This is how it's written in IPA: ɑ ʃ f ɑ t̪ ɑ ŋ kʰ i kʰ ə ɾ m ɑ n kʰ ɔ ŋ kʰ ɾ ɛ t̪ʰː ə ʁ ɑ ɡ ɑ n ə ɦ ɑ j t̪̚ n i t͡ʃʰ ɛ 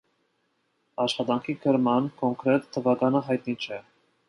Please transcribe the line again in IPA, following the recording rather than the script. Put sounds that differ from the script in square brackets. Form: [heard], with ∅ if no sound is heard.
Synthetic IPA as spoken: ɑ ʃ [χ] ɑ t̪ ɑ ŋ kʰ i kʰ ə ɾ m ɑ n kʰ ɔ ŋ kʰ ɾ ɛ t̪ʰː ə [v] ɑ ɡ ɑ n ə ɦ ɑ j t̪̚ n i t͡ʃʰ ɛ